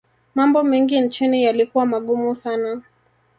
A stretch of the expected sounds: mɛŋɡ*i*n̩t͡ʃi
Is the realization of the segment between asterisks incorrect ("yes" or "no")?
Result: no